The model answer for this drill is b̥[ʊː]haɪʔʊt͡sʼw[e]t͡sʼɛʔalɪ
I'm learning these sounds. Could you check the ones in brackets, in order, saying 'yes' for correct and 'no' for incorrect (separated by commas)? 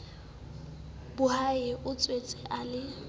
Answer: no, yes